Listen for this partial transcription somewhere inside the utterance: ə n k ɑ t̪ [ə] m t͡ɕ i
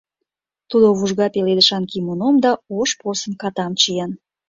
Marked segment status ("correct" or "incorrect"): incorrect